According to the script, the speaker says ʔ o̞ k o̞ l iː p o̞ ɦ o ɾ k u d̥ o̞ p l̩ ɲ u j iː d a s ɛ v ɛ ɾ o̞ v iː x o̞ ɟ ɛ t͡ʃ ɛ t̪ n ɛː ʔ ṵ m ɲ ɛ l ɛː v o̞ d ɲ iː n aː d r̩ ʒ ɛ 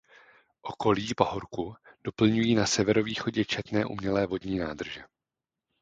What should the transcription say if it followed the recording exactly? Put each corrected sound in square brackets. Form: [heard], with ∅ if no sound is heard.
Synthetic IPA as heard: ʔ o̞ k o̞ l iː p o̞ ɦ o ɾ k u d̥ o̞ p l̩ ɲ u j iː [n] a s ɛ v ɛ ɾ o̞ v iː x o̞ ɟ ɛ t͡ʃ ɛ t̪ n ɛː ʔ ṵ m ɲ ɛ l ɛː v o̞ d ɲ iː n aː d r̩ ʒ ɛ

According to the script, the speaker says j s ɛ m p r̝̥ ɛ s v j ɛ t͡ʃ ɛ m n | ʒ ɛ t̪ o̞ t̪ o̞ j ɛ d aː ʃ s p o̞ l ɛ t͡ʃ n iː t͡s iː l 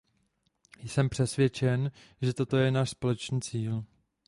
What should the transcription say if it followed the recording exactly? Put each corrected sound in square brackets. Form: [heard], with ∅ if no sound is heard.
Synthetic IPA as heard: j s ɛ m p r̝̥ ɛ s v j ɛ t͡ʃ ɛ [∅] n | ʒ ɛ t̪ o̞ t̪ o̞ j ɛ [n] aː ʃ s p o̞ l ɛ t͡ʃ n iː t͡s iː l

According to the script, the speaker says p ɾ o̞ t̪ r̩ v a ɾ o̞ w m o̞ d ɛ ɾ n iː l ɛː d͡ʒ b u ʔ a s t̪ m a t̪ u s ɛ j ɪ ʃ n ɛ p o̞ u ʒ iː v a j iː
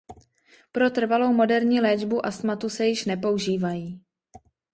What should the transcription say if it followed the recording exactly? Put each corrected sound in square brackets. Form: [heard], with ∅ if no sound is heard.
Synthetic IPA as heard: p ɾ o̞ t̪ r̩ v a [l] o̞ w m o̞ d ɛ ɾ [ɲ] iː l ɛː d͡ʒ b u ʔ a s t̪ m a t̪ u s ɛ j ɪ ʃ n ɛ p o̞ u ʒ iː v a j iː

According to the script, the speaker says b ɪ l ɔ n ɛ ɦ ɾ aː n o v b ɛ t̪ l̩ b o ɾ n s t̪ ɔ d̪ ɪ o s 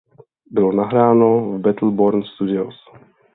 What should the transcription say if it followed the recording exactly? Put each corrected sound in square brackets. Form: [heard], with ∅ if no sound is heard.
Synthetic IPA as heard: b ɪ l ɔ n [a] ɦ ɾ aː n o v b ɛ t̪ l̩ b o ɾ n s t̪ [u] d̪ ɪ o s

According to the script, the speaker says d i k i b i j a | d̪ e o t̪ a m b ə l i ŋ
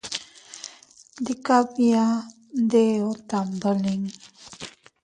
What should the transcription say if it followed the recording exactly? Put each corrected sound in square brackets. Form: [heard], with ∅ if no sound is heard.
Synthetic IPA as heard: d i k [a] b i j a | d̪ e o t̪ a m b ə l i ŋ

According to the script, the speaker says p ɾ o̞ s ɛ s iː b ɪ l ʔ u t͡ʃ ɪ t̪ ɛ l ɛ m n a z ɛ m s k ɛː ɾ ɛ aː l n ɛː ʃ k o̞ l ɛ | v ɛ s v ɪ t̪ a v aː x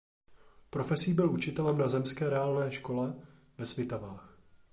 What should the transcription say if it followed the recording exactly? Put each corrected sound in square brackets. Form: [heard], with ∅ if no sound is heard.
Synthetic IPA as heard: p ɾ o̞ [f] ɛ s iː b ɪ l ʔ u t͡ʃ ɪ t̪ ɛ l ɛ m n a z ɛ m s k ɛː ɾ ɛ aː l n ɛː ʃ k o̞ l ɛ | v ɛ s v ɪ t̪ a v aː x

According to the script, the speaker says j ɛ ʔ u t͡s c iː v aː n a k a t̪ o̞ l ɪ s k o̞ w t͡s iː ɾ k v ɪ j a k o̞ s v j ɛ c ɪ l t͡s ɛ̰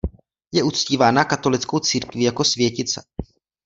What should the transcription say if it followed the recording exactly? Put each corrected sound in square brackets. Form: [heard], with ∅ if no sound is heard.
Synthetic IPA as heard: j ɛ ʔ u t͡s c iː v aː n a k a t̪ o̞ l ɪ [t͡s] k o̞ w t͡s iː ɾ k v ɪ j a k o̞ s v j ɛ c ɪ [∅] t͡s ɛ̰

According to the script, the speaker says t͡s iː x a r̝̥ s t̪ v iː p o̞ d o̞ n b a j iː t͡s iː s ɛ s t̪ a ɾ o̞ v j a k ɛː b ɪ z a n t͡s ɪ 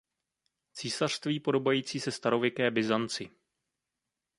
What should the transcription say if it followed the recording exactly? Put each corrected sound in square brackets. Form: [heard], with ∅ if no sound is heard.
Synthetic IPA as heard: t͡s iː [s] a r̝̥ s t̪ v iː p o̞ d o̞ [∅] b a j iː t͡s iː s ɛ s t̪ a ɾ o̞ v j [ɛ] k ɛː b ɪ z a n t͡s ɪ

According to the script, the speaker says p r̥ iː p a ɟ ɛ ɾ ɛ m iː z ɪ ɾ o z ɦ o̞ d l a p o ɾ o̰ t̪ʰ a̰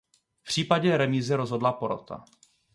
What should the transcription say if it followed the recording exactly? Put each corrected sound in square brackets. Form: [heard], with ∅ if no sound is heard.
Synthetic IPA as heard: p r̥ iː p a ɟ ɛ ɾ ɛ m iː z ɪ ɾ o z ɦ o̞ d l a p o ɾ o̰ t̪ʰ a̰

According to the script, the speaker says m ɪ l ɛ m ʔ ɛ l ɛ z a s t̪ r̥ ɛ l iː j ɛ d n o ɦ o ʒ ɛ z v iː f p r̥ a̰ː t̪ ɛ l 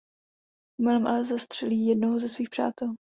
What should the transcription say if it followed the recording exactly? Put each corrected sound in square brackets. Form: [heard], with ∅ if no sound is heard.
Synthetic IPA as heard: m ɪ l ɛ m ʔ [a] l ɛ z a s t̪ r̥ ɛ l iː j ɛ d n o ɦ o [z] ɛ [s] v iː [x] p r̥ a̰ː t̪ ɛ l

